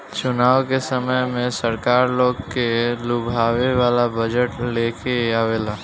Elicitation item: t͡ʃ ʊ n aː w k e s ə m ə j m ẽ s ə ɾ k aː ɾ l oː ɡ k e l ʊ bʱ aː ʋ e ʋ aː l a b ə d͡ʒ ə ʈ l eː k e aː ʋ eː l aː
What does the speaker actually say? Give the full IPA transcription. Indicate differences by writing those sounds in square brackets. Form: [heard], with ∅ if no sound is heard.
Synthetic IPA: t͡ʃ ʊ n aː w k e s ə m ə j m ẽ s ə ɾ k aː ɾ l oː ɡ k e l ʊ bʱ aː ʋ e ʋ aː l a b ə d͡ʒ ə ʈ l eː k e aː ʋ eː l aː

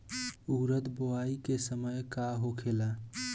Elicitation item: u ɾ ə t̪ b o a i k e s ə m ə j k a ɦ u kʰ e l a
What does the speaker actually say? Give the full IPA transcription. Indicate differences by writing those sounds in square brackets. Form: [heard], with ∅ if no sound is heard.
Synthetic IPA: u ɾ ə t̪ b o a i k e s ə m ə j k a ɦ [o] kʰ e l a

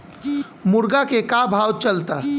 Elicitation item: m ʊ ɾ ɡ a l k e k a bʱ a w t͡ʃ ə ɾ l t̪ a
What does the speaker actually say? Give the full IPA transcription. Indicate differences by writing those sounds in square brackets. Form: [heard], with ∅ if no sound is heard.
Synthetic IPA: m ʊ ɾ ɡ a [∅] k e k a bʱ a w t͡ʃ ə [∅] l t̪ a

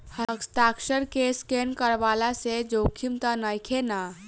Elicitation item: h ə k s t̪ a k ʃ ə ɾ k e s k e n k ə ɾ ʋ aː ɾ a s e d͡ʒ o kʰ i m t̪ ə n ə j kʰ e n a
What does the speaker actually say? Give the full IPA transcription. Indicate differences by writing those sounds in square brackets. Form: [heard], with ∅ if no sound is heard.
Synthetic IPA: h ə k s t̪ a k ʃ ə ɾ k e s k e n k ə ɾ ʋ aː [l] a s e d͡ʒ o kʰ i m t̪ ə n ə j kʰ e n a

